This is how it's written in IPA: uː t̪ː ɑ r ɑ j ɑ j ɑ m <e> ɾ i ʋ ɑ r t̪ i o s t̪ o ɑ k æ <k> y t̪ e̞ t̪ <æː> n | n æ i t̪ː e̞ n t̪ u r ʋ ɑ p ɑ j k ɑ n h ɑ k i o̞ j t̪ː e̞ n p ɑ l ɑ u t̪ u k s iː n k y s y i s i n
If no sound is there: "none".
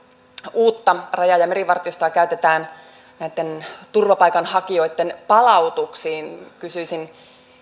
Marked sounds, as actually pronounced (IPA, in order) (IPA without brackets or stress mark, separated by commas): e, none, æː